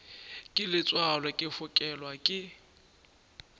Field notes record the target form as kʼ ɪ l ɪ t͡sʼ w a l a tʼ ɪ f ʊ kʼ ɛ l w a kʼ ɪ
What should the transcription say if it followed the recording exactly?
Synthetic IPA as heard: kʼ ɪ l ɪ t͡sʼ w a l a kʼ ɪ f ʊ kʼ ɛ l w a kʼ ɪ

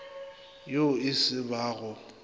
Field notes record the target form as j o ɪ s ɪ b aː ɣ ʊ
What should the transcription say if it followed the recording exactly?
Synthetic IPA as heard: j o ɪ s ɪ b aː ɣ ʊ

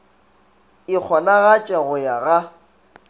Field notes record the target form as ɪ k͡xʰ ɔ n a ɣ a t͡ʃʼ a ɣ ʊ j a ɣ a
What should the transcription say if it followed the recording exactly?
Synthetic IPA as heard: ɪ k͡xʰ ɔ n a ɣ a t͡ʃʼ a ɣ ʊ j a ɣ a

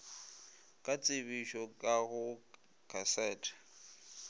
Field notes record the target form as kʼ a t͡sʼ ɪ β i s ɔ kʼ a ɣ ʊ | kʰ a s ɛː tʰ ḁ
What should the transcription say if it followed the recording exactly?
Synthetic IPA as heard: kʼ a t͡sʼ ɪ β i ʃ ɔ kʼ a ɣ ʊ | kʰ a s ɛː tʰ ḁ

